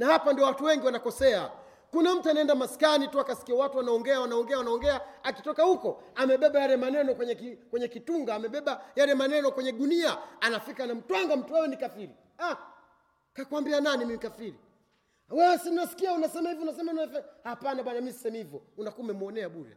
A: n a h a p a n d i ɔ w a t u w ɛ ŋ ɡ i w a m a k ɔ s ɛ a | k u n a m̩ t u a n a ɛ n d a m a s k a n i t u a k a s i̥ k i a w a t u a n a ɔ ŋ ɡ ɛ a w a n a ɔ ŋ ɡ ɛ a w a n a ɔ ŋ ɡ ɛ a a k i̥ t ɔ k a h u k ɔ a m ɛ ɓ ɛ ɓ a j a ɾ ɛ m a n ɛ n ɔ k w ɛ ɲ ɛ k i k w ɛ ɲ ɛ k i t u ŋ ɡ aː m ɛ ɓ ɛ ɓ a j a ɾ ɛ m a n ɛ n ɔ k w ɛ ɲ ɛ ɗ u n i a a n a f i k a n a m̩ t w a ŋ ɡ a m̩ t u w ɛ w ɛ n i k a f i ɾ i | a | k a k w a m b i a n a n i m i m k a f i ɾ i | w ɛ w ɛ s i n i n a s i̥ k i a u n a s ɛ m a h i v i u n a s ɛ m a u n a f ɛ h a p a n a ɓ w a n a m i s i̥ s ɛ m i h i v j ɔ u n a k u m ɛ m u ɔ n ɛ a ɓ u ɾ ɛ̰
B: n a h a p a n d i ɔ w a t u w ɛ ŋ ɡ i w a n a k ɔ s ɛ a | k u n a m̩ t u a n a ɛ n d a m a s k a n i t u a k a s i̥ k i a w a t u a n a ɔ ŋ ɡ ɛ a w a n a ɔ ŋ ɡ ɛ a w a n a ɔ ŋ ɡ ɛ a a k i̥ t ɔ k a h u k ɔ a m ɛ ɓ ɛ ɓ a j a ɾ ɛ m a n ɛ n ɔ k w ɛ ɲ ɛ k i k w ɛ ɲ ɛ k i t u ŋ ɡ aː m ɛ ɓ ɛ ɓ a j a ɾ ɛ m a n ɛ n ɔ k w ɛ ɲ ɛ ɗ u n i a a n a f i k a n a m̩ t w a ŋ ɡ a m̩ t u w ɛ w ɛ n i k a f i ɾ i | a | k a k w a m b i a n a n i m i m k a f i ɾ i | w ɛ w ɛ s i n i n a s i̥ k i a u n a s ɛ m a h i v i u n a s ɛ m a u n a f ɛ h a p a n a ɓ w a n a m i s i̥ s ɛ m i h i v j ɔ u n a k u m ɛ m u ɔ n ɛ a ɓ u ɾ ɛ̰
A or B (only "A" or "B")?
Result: B